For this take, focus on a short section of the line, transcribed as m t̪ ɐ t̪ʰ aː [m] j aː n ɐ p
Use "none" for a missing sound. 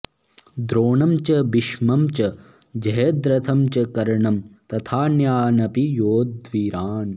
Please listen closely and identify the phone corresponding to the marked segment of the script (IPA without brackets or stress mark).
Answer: n